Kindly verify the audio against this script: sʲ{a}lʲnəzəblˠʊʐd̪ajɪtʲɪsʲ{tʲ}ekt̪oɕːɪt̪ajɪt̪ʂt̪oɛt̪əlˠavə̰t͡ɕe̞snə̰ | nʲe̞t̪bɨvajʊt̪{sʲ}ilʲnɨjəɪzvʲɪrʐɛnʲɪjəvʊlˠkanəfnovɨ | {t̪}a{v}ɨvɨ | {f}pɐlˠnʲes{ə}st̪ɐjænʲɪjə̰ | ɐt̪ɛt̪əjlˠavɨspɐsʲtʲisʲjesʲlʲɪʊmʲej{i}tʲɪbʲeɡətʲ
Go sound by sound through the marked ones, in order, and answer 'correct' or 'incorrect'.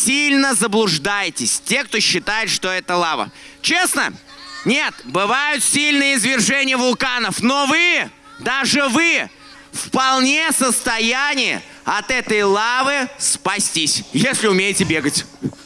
incorrect: i, correct, correct, incorrect: d̪, incorrect: ʐ, correct, correct, incorrect: ɪ

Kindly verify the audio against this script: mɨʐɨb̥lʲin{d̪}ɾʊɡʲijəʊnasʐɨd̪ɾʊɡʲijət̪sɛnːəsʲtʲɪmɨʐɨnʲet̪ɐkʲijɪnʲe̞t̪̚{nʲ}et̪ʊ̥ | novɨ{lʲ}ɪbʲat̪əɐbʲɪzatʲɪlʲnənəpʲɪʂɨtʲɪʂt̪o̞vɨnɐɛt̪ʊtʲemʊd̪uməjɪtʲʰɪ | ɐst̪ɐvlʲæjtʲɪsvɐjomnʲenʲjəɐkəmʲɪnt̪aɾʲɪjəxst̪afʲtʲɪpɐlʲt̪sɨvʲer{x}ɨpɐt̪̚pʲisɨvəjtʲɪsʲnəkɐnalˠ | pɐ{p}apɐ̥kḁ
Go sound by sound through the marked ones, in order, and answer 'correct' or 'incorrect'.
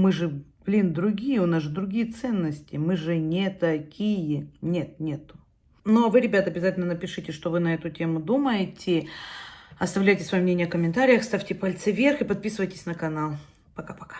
correct, correct, incorrect: ɾʲ, correct, incorrect: k

